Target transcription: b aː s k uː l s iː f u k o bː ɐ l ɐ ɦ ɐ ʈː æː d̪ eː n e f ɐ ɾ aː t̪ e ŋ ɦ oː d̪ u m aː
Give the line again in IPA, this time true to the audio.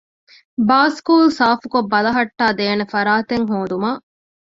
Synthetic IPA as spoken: b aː s k uː l s aː f u k o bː ɐ l ɐ ɦ ɐ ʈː aː d̪ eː n e f ɐ ɾ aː t̪ e ŋ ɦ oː d̪ u m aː